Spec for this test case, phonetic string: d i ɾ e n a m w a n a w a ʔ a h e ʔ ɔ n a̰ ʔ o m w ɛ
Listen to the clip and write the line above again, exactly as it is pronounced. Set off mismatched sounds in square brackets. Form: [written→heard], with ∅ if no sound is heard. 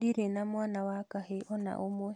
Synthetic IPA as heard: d i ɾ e n a m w a n a w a [ʔ→k] a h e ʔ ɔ n a̰ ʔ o m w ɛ